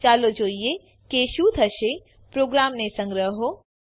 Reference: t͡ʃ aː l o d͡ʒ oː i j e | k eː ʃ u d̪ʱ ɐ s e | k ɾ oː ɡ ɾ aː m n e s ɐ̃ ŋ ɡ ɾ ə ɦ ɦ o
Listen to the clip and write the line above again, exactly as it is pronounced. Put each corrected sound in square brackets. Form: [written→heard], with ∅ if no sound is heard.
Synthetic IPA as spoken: t͡ʃ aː l o d͡ʒ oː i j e | k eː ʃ u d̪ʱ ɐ [s→ʃ] e | [k→p] ɾ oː ɡ ɾ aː m n e s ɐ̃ ŋ ɡ ɾ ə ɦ ɦ o

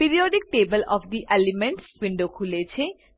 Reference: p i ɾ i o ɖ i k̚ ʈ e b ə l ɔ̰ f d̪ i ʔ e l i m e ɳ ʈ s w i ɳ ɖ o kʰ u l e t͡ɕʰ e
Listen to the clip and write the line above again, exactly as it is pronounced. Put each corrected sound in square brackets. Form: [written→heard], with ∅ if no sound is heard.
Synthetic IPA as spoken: p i ɾ i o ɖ i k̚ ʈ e b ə l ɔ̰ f d̪ i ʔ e l i m e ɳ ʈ s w i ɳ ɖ o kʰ u l e t͡ɕʰ e

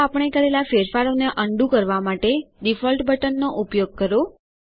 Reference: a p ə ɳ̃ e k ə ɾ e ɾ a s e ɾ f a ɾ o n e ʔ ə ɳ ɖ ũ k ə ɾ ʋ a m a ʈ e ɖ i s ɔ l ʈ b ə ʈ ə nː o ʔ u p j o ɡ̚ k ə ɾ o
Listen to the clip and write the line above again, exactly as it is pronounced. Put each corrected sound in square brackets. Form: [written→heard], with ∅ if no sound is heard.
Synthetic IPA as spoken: a p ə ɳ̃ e k ə ɾ e [ɾ→l] a [s→f] e ɾ f a ɾ o n e ʔ ə ɳ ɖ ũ k ə ɾ ʋ a m a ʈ e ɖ i [s→f] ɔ l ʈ b ə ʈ ə nː o ʔ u p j o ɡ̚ k ə ɾ o

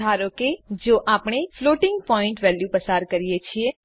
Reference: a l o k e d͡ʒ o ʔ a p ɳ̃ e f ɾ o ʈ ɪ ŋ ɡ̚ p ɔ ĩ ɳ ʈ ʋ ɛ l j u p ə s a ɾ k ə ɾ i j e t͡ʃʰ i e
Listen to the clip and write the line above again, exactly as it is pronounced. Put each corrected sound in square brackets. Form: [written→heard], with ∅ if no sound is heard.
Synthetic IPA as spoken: a [l→ɾ] o k e d͡ʒ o ʔ a p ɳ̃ e f [ɾ→l] o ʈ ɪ ŋ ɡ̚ p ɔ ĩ ɳ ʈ ʋ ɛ l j u p ə s a ɾ k ə ɾ i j e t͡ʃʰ i e

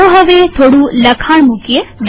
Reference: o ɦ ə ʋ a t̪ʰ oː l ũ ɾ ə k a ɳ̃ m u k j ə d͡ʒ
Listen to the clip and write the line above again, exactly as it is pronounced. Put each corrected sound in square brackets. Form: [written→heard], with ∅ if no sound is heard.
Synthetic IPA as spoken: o ɦ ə ʋ [a→e] t̪ʰ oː [l→ɽ] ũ [ɾ→l] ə [k→kʰ] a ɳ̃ m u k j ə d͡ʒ

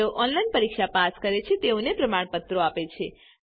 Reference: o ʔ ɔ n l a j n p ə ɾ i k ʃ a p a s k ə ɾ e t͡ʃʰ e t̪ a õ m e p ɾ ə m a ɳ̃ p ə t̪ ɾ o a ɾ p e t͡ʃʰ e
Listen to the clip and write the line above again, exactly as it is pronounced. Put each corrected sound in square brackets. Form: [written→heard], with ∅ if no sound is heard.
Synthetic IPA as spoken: o ʔ ɔ n l a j n p ə ɾ i k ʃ a p a s k ə ɾ e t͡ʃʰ e t̪ [a→e] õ [m→n] e p ɾ ə m a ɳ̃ p ə t̪ ɾ o a [ɾ→∅] p e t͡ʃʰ e

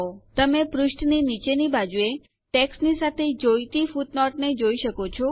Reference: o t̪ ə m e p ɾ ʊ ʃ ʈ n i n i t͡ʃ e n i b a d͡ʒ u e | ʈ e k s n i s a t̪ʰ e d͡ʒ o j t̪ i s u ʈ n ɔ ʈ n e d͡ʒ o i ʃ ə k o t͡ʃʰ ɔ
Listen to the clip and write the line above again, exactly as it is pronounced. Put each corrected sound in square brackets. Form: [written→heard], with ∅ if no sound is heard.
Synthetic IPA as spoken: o t̪ ə m e p ɾ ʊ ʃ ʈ n i n i t͡ʃ e n i b a d͡ʒ u e | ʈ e k s n i s a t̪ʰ e d͡ʒ o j t̪ i [s→f] u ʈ n ɔ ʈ n e d͡ʒ o i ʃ ə k o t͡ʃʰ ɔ

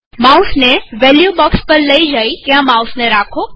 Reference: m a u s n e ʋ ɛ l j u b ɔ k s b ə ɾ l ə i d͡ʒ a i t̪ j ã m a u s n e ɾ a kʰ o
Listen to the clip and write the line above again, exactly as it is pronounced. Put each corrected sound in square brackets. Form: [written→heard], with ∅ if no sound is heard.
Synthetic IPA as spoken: m a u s n e ʋ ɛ l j u b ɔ k s [b→p] ə ɾ l ə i d͡ʒ a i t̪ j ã m a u s n e ɾ a kʰ o

